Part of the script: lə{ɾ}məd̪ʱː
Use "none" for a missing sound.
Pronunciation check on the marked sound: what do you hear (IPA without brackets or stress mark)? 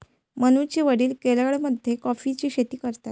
ɭ